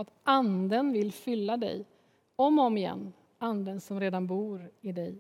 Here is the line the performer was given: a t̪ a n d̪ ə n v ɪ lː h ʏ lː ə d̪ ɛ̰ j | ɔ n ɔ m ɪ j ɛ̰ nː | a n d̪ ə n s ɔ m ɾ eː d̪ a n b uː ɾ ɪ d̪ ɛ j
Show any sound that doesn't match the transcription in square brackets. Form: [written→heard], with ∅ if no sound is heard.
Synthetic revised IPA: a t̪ a n d̪ ə n v ɪ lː [h→f] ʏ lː [ə→a] d̪ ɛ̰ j | ɔ [n→m] ɔ m ɪ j ɛ̰ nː | a n d̪ ə n s ɔ m ɾ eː d̪ a n b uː ɾ ɪ d̪ ɛ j